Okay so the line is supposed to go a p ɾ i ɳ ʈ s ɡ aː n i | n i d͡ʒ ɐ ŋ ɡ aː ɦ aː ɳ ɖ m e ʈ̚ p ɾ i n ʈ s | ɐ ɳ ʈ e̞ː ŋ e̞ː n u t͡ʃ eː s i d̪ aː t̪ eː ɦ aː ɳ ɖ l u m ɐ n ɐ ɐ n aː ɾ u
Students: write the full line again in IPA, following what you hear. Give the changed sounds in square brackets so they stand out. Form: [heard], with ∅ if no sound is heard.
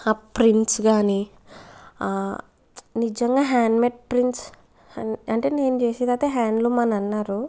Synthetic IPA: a p ɾ i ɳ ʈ s ɡ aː n i | n i d͡ʒ ɐ ŋ ɡ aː ɦ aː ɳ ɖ m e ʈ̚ p ɾ i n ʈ s | ɐ ɳ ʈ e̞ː [n] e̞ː n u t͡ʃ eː s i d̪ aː t̪ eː ɦ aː ɳ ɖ l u m ɐ n ɐ ɐ [nː] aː ɾ u

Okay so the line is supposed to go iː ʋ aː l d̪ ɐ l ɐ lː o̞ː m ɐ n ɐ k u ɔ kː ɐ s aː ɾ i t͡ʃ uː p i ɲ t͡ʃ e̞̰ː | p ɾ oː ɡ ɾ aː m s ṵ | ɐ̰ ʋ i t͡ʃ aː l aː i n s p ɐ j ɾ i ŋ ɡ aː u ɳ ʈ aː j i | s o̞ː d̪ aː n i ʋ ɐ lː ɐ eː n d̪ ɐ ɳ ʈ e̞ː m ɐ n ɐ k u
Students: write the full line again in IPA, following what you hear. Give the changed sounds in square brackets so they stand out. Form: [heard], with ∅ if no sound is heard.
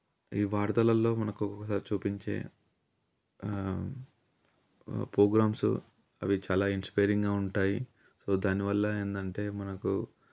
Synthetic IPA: iː ʋ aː [ɾ] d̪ ɐ l ɐ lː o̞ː m ɐ n ɐ k u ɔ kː ɐ s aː ɾ i t͡ʃ uː p i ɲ t͡ʃ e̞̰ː | p ɾ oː ɡ ɾ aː m s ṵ | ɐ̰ ʋ i t͡ʃ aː l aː i n s p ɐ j ɾ i ŋ ɡ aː u ɳ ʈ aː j i | s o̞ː d̪ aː n i ʋ ɐ lː ɐ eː n d̪ ɐ ɳ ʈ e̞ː m ɐ n ɐ k u

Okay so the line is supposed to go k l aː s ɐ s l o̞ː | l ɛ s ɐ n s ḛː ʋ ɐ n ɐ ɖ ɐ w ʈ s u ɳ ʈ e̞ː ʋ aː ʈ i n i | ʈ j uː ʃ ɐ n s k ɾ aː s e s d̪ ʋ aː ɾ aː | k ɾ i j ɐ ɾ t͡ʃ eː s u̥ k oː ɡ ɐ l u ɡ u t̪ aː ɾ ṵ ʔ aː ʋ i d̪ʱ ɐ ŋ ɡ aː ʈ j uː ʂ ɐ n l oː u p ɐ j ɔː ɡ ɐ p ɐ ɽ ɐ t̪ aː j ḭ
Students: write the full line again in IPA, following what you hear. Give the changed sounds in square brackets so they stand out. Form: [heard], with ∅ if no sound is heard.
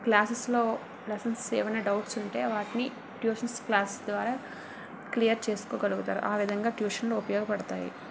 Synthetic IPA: k l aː s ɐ s l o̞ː | l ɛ s ɐ n s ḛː ʋ ɐ n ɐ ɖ ɐ w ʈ s u ɳ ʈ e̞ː ʋ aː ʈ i n i | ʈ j uː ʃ ɐ n s k [l] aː s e s d̪ ʋ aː ɾ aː | k [l] i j ɐ ɾ t͡ʃ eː s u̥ k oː ɡ ɐ l u ɡ u t̪ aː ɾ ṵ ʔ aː ʋ i d̪ʱ ɐ ŋ ɡ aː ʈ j uː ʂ ɐ n l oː u p ɐ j ɔː ɡ ɐ p ɐ ɽ ɐ t̪ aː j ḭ

